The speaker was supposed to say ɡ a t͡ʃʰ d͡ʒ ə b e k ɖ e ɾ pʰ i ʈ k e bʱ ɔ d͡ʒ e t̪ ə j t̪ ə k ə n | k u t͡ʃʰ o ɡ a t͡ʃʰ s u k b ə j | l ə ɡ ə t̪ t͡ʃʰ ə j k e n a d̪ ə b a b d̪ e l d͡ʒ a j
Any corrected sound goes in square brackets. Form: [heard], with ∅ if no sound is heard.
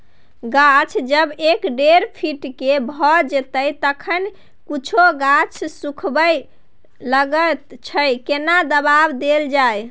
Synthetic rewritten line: ɡ a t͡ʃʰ d͡ʒ ə b e k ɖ e ɾ pʰ i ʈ k e bʱ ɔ d͡ʒ e t̪ ə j t̪ ə [kʰ] ə n | k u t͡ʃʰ o ɡ a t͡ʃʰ s u [kʰ] b ə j | l ə ɡ ə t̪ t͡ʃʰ ə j k e n a d̪ ə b a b d̪ e l d͡ʒ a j